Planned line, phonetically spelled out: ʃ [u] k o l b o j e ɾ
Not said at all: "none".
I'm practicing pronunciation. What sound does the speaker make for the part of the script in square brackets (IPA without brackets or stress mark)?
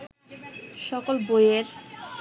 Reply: ɔ